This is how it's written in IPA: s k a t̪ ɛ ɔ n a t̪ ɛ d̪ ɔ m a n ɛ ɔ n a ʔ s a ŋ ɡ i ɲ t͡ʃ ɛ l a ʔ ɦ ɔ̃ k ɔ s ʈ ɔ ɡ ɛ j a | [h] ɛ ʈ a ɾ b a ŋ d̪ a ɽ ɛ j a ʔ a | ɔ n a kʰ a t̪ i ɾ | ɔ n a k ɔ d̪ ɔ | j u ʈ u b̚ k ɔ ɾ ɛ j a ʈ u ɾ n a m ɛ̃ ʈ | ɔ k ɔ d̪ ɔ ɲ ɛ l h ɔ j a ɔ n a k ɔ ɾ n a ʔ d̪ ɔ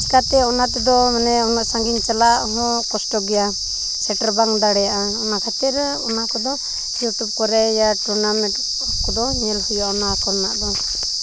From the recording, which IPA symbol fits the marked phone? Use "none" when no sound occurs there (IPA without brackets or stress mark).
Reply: s